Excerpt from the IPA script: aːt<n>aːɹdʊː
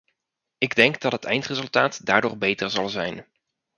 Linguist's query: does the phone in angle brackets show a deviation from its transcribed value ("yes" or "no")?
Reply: yes